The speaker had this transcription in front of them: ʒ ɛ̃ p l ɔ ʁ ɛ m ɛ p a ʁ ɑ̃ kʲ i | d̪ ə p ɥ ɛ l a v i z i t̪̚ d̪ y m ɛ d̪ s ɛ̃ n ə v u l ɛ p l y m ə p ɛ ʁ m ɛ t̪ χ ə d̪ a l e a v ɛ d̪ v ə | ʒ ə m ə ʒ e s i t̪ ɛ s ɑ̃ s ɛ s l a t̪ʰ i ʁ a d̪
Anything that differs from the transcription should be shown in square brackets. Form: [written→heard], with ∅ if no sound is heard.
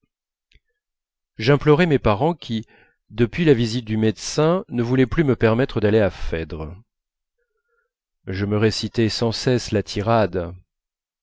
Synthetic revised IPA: ʒ ɛ̃ p l ɔ ʁ ɛ m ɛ p a ʁ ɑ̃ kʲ i | d̪ ə p ɥ [ɛ→i] l a v i z i t̪̚ d̪ y m ɛ d̪ s ɛ̃ n ə v u l ɛ p l y m ə p ɛ ʁ m ɛ t̪ χ ə d̪ a l e a [v→f] ɛ d̪ [v→ʁ] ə | ʒ ə m ə [ʒ→ʁ] e s i t̪ ɛ s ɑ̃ s ɛ s l a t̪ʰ i ʁ a d̪